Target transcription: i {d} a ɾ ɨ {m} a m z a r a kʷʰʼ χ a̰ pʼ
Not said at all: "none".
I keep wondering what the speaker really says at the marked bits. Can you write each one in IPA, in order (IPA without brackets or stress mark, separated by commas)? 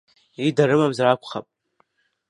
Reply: d, m